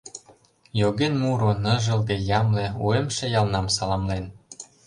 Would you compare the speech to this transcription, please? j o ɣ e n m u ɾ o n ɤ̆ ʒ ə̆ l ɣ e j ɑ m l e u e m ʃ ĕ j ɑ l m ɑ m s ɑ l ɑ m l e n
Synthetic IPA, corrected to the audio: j o ɣ e n m u ɾ o n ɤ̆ ʒ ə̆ l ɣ e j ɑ m l e u e m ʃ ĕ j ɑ l n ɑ m s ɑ l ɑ m l e n